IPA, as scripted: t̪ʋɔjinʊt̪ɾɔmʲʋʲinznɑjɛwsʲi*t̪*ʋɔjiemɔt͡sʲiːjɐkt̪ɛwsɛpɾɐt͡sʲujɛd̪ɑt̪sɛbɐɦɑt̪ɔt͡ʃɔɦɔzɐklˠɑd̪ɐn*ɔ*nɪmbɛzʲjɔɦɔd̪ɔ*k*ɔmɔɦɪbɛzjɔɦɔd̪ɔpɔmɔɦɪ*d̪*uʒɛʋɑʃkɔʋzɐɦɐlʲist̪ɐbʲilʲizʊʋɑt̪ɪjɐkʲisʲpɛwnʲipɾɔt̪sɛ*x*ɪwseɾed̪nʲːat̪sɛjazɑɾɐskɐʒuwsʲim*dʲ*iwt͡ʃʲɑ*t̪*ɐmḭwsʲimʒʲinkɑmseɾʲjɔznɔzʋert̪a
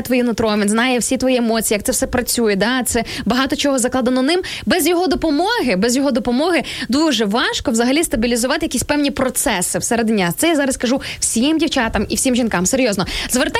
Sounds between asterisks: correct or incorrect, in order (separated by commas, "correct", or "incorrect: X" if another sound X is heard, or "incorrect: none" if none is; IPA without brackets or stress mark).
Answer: correct, correct, incorrect: p, correct, incorrect: s, correct, correct